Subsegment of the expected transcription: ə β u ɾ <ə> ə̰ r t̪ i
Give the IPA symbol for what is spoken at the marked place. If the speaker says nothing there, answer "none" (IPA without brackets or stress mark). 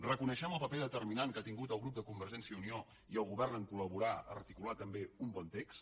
a